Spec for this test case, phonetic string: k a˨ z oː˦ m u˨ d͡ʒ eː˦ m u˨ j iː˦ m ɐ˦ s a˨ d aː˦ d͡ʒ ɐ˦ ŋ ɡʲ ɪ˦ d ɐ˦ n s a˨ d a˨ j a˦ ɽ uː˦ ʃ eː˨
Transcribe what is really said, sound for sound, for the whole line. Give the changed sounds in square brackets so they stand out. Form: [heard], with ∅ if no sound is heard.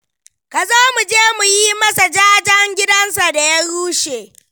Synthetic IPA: k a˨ z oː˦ m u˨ d͡ʒ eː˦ m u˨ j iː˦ m ɐ˦ s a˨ [d͡ʒ] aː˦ d͡ʒ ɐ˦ ŋ ɡʲ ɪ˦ d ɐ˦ n s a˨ d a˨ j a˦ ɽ uː˦ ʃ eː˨